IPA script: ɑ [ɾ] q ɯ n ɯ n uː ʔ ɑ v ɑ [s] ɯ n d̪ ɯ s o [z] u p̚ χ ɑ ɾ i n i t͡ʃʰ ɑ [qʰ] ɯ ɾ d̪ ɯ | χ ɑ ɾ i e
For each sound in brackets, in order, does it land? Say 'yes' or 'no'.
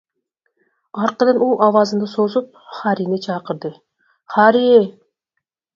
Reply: yes, no, yes, no

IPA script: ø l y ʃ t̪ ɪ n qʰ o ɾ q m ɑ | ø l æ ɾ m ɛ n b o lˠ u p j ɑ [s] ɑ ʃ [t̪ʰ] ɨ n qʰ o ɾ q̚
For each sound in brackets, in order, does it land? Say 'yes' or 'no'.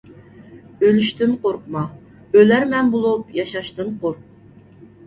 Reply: no, no

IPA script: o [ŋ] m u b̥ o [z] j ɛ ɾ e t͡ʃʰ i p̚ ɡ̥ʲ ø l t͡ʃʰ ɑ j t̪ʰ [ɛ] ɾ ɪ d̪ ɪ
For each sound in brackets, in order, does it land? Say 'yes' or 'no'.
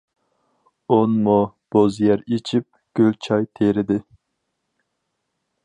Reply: no, yes, no

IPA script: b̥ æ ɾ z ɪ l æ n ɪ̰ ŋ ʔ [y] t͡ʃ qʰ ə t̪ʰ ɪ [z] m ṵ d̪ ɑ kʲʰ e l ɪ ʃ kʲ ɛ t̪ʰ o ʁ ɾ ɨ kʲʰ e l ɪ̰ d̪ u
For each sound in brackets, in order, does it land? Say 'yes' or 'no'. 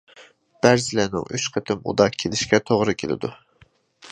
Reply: yes, no

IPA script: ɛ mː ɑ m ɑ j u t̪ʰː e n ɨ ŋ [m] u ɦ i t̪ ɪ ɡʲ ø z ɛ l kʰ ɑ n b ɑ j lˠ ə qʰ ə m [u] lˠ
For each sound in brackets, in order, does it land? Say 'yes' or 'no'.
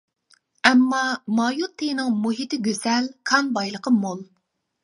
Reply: yes, no

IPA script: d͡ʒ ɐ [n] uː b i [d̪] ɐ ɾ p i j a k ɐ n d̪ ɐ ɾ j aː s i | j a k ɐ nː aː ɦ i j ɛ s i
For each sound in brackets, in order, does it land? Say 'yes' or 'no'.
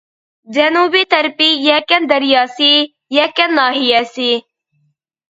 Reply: yes, no

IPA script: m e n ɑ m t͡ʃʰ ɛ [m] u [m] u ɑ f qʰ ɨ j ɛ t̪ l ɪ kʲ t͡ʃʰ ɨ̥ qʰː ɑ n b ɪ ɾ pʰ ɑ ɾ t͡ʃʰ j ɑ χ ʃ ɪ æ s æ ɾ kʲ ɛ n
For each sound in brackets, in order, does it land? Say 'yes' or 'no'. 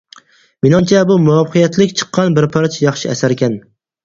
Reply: no, yes

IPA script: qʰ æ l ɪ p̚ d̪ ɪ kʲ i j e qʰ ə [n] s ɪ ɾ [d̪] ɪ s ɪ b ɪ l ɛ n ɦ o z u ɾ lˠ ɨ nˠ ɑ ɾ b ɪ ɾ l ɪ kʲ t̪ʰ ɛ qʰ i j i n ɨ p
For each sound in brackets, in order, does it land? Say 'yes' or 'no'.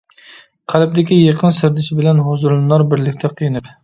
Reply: yes, yes

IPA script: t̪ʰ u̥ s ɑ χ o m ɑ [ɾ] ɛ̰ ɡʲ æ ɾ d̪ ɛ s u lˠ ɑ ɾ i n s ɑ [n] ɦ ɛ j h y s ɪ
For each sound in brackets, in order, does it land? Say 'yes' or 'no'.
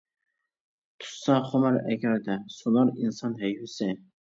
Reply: yes, yes

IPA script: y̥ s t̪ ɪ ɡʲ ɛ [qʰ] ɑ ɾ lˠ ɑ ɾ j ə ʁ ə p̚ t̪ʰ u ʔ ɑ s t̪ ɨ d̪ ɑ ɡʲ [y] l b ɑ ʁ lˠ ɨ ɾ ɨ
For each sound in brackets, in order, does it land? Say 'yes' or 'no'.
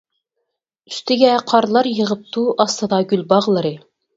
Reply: yes, yes

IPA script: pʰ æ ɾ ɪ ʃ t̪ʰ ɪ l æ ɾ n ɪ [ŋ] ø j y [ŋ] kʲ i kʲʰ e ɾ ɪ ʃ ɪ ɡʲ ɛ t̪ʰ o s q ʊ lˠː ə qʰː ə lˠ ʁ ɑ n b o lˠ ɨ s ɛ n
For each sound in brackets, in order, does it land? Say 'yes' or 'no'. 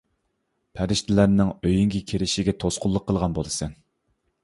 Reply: yes, yes

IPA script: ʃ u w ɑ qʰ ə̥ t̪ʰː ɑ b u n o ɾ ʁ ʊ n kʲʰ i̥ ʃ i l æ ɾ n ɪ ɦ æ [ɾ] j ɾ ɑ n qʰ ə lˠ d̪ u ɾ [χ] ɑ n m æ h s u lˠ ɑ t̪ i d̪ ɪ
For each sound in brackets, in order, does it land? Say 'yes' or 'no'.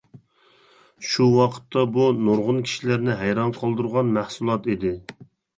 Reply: no, no

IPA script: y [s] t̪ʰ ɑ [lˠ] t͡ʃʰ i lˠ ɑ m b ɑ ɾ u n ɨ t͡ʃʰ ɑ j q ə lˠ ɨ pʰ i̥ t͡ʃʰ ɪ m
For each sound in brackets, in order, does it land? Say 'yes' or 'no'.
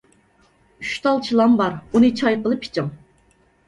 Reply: no, yes

